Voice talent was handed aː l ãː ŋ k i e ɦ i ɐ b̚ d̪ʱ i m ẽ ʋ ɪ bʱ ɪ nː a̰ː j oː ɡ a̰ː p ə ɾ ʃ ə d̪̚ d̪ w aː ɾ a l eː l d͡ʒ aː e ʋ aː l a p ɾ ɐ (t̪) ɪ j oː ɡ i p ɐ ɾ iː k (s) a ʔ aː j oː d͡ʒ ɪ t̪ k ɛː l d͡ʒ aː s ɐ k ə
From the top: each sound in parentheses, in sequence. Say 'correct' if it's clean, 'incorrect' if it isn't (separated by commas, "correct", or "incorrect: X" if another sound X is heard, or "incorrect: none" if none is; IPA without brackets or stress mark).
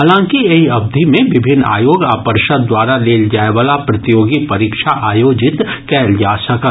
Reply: correct, incorrect: ʃ